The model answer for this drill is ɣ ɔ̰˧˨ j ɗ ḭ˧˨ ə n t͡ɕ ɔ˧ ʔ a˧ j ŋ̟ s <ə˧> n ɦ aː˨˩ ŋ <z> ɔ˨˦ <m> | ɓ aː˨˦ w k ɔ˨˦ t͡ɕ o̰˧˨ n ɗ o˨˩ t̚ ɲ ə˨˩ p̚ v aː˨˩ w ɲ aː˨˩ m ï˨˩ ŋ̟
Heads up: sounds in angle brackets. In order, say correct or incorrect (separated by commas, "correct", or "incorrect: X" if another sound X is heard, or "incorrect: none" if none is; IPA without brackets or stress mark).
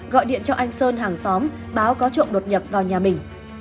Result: incorrect: əː˧, incorrect: s, correct